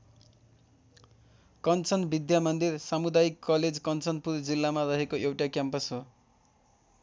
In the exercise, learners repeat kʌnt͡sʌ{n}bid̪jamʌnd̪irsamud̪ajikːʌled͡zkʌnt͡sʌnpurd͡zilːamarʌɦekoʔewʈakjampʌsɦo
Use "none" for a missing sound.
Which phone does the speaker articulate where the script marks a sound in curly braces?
n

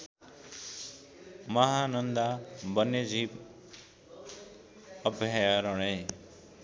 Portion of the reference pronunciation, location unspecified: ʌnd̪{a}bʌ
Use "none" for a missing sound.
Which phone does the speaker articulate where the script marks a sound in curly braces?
a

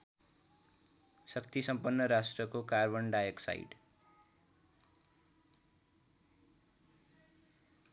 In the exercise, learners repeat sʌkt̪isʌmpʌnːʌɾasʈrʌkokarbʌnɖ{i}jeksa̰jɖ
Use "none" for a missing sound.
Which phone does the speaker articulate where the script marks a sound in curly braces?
a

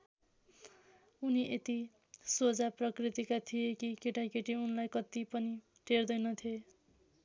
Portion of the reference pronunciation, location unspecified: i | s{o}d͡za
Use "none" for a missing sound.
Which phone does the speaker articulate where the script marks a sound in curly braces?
o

